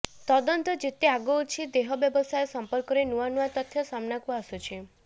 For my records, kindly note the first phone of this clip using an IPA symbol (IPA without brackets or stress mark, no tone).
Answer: t̪